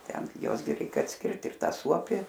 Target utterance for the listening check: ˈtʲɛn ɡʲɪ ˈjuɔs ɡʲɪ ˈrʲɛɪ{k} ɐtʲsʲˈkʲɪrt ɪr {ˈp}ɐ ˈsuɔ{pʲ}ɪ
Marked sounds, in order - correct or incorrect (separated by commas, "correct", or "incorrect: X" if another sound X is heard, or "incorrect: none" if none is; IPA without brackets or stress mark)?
correct, incorrect: t, correct